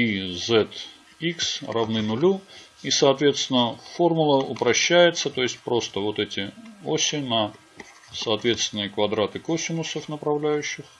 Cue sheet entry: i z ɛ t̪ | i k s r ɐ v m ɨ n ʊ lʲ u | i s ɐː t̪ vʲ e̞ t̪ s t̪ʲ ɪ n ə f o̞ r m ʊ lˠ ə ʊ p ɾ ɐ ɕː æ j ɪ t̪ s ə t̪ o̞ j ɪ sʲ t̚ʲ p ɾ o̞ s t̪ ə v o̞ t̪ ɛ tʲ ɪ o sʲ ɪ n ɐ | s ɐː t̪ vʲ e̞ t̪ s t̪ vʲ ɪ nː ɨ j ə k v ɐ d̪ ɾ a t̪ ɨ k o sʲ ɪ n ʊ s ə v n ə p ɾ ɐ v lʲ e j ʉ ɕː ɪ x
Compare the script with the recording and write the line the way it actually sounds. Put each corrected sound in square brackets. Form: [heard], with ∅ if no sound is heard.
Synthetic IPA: i z ɛ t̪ | i k s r ɐ v [n] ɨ n ʊ lʲ u | i s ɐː t̪ vʲ e̞ t̪ s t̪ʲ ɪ n ə f o̞ r m ʊ lˠ ə ʊ p ɾ ɐ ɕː æ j ɪ t̪ s ə t̪ o̞ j ɪ sʲ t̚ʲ p ɾ o̞ s t̪ ə v o̞ t̪ ɛ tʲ ɪ o sʲ ɪ n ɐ | s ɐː t̪ vʲ e̞ t̪ s t̪ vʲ ɪ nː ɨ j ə k v ɐ d̪ ɾ a t̪ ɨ k o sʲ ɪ n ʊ s ə [f] n ə p ɾ ɐ v lʲ [æ] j ʉ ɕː ɪ x